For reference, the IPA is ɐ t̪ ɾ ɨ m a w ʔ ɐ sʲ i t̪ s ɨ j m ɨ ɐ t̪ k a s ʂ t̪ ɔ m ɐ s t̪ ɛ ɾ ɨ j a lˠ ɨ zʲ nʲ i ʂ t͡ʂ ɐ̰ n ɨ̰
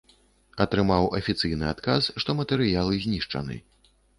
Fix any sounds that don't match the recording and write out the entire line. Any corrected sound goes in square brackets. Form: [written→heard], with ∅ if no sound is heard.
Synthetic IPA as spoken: ɐ t̪ ɾ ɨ m a w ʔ ɐ [sʲ→fʲ] i t̪ s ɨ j [m→n] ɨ [ɐ→a] t̪ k a s ʂ t̪ ɔ m ɐ [s→∅] t̪ ɛ ɾ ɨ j a lˠ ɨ zʲ nʲ i ʂ t͡ʂ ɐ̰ n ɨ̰